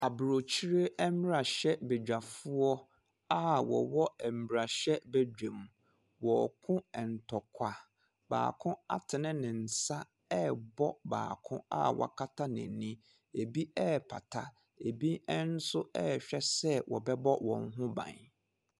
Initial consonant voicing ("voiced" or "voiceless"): voiced